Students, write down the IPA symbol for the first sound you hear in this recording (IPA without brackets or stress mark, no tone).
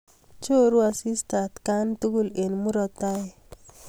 t͡ʃ